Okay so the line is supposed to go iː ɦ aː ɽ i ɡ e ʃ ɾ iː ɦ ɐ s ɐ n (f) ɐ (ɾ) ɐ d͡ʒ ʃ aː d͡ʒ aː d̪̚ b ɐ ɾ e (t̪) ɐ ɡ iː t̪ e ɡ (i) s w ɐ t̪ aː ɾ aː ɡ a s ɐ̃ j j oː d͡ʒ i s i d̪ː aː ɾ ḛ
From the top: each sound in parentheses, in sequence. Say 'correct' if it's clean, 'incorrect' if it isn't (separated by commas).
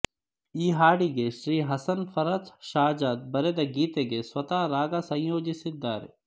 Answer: correct, correct, incorrect, incorrect